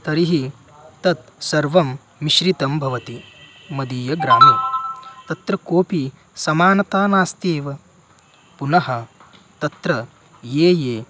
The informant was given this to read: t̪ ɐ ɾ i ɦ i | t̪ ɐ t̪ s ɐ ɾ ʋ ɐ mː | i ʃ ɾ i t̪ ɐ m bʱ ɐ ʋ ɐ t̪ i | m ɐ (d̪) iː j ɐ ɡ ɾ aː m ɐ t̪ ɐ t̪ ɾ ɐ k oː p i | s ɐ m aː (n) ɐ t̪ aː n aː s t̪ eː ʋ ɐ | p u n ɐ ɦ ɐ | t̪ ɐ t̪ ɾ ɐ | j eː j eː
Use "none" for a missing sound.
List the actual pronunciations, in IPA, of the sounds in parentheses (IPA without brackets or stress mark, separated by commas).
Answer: d̪, n